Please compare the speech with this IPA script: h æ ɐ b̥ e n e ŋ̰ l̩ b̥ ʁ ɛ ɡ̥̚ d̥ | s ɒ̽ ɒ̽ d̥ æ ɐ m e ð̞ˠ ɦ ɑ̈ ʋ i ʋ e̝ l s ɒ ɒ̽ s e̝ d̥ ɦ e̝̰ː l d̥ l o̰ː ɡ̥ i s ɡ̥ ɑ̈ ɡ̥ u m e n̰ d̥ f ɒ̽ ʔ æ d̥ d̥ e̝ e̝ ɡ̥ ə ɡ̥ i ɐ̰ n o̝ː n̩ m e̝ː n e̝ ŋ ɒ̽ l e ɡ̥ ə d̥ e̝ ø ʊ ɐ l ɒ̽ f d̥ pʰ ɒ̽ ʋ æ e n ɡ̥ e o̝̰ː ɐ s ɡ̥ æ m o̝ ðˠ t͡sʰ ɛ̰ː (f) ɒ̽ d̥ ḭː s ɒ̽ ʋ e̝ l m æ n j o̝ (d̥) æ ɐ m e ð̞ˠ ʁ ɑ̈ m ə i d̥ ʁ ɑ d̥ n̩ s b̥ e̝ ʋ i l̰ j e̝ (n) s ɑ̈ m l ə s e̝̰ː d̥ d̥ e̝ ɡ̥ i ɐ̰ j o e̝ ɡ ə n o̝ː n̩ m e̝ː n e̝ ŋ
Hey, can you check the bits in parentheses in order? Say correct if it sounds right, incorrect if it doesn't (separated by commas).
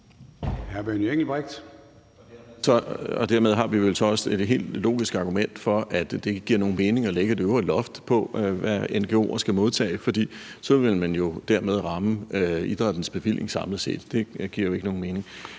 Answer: correct, correct, incorrect